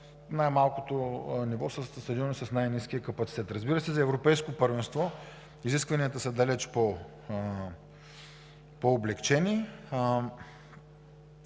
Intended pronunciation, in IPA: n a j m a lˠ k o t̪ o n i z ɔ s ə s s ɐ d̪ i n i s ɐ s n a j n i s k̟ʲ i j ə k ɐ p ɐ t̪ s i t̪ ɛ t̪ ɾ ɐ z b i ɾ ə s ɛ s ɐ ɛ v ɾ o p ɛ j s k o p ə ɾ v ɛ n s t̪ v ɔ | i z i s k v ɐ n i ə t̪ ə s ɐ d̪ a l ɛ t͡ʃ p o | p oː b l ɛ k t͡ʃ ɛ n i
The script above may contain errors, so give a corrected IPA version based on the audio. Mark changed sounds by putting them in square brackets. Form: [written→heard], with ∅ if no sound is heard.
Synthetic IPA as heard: n a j m a lˠ k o t̪ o n i [z→v] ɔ s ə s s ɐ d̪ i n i s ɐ s n a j n i s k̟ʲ i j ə k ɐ p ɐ t̪ s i t̪ ɛ t̪ ɾ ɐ z b i ɾ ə s ɛ [s→z] ɐ ɛ v ɾ o p ɛ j s k o p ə ɾ v ɛ n s t̪ v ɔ | i z i s k v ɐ n i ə t̪ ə s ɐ d̪ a l ɛ t͡ʃ p o | p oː b l ɛ k t͡ʃ ɛ n i